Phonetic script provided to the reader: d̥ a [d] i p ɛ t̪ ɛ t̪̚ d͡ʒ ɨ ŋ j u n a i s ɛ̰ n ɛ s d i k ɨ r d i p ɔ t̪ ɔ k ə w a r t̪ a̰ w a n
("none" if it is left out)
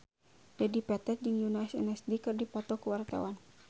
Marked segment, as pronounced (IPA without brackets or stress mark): d